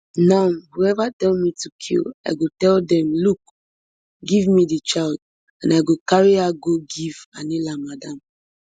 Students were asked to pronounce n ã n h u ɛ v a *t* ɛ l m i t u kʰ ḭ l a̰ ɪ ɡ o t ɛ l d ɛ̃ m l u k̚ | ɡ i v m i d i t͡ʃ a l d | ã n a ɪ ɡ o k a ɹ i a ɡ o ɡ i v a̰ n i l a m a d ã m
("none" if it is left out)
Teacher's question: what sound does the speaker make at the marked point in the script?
t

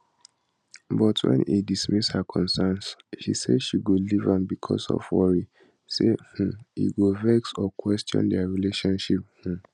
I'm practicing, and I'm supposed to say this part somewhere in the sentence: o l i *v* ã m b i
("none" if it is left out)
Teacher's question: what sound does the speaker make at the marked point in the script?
v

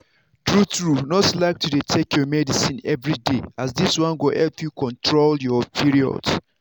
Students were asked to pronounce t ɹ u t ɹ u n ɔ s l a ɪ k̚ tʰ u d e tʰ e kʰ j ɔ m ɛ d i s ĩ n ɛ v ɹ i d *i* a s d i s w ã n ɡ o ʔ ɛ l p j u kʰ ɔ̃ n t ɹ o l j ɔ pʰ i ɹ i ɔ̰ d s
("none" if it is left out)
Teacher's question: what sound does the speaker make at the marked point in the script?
e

